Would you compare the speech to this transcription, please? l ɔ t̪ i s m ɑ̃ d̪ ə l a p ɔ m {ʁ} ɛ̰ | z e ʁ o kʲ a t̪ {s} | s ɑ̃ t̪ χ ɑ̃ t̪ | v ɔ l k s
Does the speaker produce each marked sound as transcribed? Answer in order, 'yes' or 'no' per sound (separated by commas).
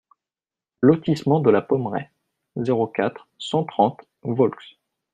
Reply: yes, no